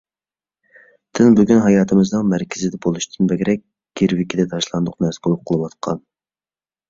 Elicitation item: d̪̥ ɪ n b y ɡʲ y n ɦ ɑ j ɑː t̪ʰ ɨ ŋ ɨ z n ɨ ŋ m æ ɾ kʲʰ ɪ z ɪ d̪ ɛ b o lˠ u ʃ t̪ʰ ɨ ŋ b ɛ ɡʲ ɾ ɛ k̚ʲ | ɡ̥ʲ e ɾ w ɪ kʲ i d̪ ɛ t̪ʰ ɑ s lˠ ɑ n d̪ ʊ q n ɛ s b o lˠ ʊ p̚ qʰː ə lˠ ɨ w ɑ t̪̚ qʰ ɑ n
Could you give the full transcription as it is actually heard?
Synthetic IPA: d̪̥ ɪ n b y ɡʲ y n ɦ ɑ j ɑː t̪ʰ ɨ m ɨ z n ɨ ŋ m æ ɾ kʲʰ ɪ z ɪ d̪ ɛ b o lˠ u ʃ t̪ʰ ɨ n b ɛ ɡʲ ɾ ɛ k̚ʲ | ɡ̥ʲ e ɾ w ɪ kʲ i d̪ ɛ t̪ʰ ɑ ʃ lˠ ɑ n d̪ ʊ q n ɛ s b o lˠ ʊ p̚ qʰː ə lˠ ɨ w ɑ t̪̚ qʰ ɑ n